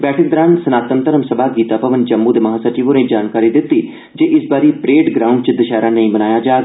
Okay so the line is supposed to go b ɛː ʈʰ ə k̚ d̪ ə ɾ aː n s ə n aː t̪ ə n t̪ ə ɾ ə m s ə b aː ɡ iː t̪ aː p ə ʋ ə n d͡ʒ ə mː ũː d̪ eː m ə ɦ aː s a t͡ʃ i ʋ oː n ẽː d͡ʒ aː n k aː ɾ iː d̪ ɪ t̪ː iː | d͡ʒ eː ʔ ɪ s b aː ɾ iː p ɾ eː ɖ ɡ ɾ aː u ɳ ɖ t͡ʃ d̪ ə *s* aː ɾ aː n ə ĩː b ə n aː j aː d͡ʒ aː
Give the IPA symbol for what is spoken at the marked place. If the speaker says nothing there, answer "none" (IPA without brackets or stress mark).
ʃ